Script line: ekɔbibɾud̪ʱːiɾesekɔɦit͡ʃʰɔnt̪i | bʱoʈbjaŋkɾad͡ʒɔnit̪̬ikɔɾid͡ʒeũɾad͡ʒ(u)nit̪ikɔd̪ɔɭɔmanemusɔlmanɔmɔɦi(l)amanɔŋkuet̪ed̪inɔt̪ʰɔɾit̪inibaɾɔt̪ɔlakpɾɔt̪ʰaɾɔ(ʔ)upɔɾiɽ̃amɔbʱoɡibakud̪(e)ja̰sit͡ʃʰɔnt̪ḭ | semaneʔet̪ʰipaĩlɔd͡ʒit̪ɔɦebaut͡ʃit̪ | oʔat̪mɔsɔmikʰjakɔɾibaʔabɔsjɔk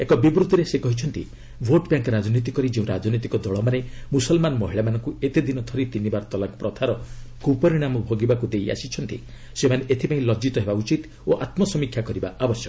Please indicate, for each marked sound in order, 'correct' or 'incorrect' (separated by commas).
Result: incorrect, incorrect, incorrect, correct